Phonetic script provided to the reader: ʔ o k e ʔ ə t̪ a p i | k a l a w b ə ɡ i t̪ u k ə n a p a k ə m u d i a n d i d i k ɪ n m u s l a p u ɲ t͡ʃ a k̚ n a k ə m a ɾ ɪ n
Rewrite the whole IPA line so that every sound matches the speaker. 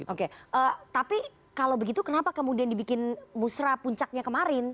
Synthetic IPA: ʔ o k e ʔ ə t̪ a p i | k a l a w b ə ɡ i t̪ u k ə n a p a k ə m u d i a n d i b i k ɪ n m u s ɾ a p u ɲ t͡ʃ a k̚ ɲ a k ə m a ɾ ɪ n